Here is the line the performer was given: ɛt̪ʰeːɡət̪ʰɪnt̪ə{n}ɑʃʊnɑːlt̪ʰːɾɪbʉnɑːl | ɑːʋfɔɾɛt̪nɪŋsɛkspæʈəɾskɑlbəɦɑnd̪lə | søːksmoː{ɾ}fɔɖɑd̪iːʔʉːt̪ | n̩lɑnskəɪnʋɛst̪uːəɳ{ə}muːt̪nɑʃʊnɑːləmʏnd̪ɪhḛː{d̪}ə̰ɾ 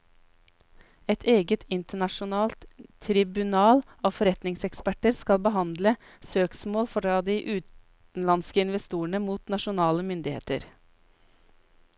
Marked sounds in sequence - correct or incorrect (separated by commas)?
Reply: incorrect, incorrect, correct, incorrect